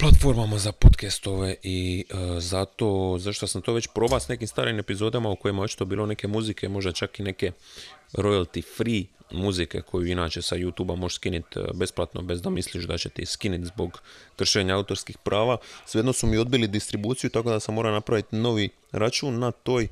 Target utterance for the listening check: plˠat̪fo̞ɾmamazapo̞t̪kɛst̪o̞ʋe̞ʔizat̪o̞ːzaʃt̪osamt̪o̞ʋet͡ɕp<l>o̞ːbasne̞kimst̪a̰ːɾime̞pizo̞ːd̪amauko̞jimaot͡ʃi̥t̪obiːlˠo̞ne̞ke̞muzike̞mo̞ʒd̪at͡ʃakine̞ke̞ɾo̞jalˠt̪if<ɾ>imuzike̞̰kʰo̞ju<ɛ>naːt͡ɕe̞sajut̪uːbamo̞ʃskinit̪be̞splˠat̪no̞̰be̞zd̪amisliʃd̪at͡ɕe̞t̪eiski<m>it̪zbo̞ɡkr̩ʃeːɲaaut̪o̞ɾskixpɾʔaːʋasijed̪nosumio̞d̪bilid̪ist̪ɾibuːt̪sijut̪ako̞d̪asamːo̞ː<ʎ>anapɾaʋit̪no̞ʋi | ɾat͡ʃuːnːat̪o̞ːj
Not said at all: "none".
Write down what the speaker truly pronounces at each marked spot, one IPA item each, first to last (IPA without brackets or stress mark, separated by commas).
ɾ, ɾ, i, n, ɾ